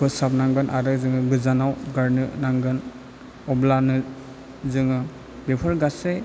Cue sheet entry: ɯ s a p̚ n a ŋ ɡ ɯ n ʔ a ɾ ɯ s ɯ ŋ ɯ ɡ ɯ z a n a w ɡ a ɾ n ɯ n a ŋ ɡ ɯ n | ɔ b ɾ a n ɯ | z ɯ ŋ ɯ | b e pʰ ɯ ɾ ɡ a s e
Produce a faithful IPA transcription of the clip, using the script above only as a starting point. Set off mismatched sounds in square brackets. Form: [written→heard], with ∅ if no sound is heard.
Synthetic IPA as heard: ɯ s a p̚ n a ŋ ɡ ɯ n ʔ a ɾ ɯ [s→z] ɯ ŋ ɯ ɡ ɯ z a n a w ɡ a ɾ n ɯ n a ŋ ɡ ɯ n | ɔ b [ɾ→l] a n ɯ | z ɯ ŋ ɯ | b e pʰ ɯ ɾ ɡ a s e